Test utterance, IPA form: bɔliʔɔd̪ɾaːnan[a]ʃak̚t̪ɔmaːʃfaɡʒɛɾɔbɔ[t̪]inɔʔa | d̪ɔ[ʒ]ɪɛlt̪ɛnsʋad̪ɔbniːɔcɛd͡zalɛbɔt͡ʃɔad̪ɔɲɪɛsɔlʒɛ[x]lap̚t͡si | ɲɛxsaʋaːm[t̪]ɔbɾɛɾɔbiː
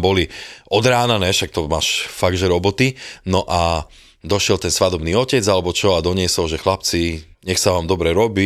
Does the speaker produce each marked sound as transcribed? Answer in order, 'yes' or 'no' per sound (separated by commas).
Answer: no, yes, no, yes, no